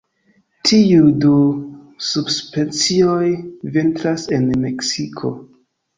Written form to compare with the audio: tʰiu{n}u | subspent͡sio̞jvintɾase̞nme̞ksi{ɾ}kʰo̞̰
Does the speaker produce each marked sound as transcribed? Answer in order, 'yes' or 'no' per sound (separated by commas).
no, no